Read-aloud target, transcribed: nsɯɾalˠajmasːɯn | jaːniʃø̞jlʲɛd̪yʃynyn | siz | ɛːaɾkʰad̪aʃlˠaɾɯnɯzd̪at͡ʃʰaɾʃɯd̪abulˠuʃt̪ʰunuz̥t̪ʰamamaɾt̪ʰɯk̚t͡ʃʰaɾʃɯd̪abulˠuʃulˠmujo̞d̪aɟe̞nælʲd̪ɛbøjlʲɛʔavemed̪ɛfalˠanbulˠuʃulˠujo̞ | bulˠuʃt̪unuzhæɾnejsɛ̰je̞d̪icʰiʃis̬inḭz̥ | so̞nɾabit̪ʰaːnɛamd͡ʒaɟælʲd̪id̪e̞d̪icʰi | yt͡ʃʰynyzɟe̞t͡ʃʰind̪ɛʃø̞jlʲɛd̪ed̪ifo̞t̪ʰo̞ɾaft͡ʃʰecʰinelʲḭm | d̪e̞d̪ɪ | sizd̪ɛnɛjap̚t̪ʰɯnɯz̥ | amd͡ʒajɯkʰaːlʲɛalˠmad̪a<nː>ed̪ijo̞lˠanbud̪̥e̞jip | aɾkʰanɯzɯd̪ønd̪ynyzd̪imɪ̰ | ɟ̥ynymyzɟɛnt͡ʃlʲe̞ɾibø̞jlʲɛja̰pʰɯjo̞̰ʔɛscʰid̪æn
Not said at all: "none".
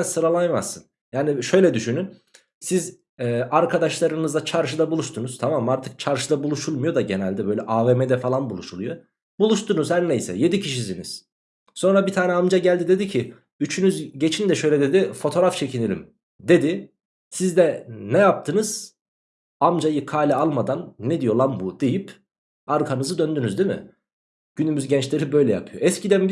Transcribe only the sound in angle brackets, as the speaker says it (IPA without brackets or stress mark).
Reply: nː